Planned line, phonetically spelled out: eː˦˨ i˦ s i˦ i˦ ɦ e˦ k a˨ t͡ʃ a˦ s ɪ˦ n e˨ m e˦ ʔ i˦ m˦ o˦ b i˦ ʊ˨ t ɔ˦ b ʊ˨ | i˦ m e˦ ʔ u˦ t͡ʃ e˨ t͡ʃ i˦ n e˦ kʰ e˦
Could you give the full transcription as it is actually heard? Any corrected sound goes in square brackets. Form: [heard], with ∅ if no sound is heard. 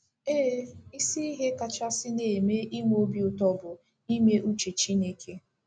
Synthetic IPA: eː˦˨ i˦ s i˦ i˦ ɦ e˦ k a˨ t͡ʃ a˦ s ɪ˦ n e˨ m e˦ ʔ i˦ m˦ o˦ b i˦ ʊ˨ t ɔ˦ b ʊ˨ | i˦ m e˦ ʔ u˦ t͡ʃ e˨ t͡ʃ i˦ n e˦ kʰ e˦

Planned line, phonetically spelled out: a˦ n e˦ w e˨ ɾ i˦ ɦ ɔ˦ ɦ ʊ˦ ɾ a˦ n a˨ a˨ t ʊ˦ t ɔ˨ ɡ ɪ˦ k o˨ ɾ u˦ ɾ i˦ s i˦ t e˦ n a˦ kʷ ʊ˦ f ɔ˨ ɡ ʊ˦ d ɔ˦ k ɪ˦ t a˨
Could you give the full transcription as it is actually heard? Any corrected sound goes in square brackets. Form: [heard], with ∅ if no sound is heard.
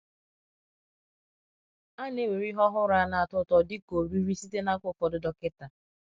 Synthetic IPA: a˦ n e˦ w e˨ ɾ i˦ ɦ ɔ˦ ɦ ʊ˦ ɾ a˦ n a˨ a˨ t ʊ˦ t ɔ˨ [d] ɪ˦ k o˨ ɾ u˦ ɾ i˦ s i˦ t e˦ n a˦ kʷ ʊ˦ f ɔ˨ [d] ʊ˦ d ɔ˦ k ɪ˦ t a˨

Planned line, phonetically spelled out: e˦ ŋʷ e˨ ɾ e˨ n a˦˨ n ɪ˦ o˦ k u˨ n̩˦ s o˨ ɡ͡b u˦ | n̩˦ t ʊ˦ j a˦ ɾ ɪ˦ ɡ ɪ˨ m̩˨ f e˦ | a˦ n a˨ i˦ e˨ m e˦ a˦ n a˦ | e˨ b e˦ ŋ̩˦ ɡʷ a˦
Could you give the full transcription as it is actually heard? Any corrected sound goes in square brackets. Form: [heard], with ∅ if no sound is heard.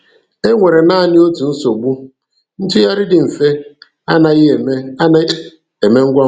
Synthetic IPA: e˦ ŋʷ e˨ ɾ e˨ n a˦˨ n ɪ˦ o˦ [t] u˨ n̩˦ s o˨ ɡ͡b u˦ | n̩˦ t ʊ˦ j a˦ ɾ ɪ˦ [d] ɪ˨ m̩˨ f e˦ | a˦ n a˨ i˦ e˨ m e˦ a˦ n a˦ | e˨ [m] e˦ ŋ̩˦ ɡʷ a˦

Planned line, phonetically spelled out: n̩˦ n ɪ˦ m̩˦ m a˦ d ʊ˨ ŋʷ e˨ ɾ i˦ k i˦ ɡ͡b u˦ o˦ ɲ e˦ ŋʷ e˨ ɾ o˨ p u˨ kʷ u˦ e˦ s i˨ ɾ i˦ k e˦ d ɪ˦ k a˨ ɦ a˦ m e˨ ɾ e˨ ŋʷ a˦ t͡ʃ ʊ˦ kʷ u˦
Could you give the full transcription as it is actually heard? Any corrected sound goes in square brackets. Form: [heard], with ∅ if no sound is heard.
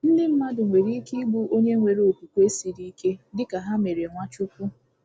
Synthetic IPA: n̩˦ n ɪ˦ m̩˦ m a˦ d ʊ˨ ŋʷ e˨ ɾ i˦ k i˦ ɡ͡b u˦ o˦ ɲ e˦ ŋʷ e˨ ɾ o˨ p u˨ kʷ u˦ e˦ s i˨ ɾ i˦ k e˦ d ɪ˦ k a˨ ɦ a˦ m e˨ ɾ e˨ ŋʷ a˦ t͡ʃ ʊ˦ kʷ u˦

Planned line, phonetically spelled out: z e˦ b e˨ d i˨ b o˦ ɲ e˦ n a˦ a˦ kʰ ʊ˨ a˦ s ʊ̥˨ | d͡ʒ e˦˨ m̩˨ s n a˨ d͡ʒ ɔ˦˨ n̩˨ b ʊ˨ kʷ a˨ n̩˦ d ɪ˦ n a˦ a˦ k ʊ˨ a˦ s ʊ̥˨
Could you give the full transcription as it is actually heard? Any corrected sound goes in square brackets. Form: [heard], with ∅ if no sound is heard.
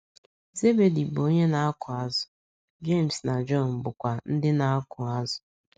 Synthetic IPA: z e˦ b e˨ d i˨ b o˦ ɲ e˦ n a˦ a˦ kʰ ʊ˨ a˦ [z] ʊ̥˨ | d͡ʒ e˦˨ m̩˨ s n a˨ d͡ʒ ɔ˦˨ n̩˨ b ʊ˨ kʷ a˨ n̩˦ d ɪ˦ n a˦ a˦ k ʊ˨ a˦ [z] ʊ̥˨

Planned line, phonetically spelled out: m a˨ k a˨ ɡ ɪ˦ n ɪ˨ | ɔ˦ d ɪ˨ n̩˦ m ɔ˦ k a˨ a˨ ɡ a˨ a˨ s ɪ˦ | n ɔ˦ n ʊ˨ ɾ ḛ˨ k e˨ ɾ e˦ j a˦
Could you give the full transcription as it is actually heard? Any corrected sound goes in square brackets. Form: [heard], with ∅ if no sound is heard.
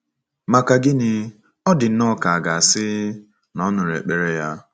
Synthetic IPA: m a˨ k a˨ ɡ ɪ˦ n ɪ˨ | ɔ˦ d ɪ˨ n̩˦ [n] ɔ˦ k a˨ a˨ ɡ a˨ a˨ s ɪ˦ | n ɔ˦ n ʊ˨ ɾ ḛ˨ [k͡p] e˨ ɾ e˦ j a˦

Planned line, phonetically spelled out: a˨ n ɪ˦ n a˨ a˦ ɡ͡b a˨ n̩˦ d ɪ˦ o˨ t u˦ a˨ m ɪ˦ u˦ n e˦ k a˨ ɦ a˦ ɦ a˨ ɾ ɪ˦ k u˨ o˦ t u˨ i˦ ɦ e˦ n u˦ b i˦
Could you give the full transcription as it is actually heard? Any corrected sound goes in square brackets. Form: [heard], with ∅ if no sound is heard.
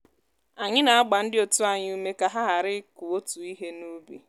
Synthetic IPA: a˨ [ɲ] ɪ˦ n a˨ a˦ ɡ͡b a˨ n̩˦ d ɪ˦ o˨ t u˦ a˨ [ɲ] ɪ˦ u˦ [m] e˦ k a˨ ɦ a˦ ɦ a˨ ɾ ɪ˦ k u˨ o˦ t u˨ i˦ ɦ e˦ n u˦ b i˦

